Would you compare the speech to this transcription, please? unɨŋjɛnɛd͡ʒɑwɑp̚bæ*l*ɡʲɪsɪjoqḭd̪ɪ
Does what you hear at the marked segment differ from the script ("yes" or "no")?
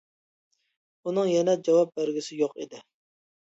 yes